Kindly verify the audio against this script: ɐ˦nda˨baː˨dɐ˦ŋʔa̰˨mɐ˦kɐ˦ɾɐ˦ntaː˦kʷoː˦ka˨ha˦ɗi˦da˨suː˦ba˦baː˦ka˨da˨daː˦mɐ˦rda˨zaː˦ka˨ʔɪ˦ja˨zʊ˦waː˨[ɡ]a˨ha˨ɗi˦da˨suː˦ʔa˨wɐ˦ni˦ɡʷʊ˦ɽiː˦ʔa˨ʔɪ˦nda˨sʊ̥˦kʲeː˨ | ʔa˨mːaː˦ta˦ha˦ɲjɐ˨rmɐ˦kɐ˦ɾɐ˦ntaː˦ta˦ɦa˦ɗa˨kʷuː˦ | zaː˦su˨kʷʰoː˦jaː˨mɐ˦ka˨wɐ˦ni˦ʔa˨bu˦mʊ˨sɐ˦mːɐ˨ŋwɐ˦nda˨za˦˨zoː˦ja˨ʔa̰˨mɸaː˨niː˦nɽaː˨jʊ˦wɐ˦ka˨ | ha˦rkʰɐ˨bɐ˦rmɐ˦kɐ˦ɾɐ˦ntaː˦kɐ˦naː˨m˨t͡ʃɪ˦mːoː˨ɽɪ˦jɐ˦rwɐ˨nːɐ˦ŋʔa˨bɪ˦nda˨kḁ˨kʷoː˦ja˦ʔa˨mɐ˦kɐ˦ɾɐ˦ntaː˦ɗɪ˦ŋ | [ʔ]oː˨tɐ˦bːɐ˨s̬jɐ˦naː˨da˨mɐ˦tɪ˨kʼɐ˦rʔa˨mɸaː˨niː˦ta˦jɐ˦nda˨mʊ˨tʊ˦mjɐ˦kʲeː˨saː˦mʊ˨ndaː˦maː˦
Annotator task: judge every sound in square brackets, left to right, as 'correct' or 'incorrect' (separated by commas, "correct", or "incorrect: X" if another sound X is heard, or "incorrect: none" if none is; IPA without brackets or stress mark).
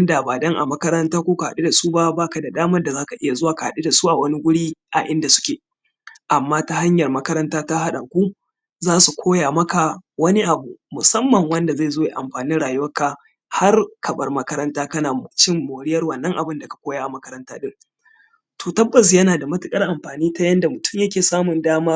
incorrect: k, incorrect: t